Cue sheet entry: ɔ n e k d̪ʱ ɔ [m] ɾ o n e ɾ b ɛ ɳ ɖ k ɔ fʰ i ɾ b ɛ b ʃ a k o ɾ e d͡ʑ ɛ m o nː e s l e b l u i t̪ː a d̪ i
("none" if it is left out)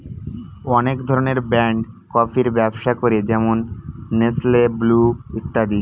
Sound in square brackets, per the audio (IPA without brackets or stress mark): none